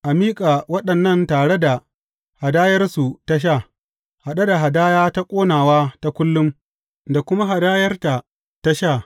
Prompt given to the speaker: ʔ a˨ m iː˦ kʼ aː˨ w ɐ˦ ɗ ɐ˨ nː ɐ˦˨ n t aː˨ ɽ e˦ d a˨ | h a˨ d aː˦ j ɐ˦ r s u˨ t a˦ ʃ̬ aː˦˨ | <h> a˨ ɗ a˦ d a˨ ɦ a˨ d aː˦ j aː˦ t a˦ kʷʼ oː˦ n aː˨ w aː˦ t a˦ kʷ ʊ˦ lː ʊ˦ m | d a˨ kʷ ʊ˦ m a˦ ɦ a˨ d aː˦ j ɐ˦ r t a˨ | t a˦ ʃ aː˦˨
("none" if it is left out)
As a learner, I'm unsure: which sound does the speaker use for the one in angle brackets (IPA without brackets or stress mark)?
h